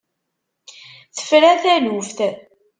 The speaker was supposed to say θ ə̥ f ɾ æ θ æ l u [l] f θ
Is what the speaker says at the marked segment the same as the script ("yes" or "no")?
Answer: no